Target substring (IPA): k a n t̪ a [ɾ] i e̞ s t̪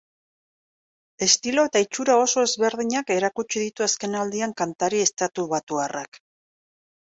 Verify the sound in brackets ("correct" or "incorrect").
correct